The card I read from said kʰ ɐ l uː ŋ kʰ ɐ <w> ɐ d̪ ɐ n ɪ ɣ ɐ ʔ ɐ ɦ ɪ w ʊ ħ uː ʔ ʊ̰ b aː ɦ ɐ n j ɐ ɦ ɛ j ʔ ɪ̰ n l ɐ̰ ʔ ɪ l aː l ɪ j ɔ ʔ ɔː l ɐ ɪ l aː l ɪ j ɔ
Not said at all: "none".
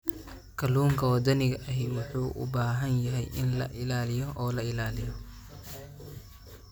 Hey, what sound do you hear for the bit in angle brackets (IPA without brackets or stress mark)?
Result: w